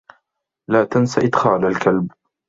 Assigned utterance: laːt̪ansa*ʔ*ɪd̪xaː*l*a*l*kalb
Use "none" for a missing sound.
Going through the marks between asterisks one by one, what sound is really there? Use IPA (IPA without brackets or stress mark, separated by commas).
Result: ʔ, l, l